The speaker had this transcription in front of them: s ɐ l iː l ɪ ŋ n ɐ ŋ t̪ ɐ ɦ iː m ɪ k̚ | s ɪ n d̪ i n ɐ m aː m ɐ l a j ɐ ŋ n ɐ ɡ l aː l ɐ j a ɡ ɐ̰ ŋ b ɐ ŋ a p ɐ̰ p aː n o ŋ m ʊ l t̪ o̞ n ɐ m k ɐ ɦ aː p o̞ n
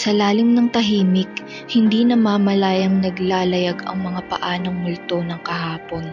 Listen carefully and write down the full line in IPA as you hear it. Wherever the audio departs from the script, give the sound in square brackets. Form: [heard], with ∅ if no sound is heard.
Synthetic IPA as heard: s ɐ l [aː] l ɪ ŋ n ɐ ŋ t̪ ɐ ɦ iː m ɪ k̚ | [h] ɪ n d̪ i n ɐ m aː m ɐ l a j ɐ ŋ n ɐ ɡ l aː l ɐ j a ɡ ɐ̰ ŋ [m] ɐ ŋ a p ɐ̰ [ʔ] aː n o ŋ m ʊ l t̪ o̞ n ɐ [ŋ] k ɐ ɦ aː p o̞ n